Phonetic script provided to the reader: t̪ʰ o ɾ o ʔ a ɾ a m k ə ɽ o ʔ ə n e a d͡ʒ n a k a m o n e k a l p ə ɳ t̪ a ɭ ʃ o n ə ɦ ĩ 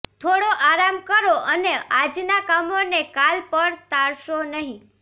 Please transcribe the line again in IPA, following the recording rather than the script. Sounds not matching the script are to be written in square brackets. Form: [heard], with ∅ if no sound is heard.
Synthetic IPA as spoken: t̪ʰ o [ɽ] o ʔ a ɾ a m k ə [ɾ] o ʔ ə n e a d͡ʒ n a k a m o n e k a l p ə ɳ t̪ a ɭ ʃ o n ə ɦ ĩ